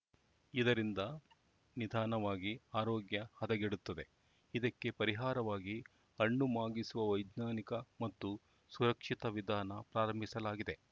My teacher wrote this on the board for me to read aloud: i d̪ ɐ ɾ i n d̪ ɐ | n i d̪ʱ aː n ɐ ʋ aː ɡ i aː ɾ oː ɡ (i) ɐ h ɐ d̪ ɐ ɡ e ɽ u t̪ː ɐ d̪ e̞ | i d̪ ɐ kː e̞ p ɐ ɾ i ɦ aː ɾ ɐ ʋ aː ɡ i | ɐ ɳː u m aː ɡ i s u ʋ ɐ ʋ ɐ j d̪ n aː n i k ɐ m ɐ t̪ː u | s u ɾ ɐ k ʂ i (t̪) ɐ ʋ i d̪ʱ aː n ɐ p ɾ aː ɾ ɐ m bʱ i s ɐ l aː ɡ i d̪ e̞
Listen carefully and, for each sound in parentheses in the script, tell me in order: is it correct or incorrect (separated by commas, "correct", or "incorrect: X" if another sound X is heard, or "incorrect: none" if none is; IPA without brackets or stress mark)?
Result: incorrect: j, correct